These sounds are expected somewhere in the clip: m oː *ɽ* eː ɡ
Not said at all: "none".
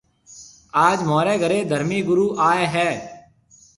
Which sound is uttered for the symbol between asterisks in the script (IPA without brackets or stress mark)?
ɾ